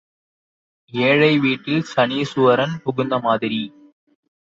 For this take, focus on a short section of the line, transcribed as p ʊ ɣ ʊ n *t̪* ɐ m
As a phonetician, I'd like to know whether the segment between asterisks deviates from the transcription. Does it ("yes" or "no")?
yes